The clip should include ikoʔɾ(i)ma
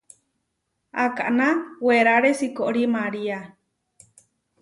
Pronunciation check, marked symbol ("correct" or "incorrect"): correct